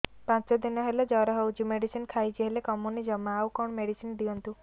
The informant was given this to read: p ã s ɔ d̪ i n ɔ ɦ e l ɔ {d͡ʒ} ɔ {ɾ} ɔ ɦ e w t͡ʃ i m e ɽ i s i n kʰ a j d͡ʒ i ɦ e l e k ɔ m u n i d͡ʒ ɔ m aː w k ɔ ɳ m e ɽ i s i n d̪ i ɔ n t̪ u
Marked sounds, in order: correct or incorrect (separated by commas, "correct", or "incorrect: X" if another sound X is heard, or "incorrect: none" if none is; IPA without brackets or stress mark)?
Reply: correct, correct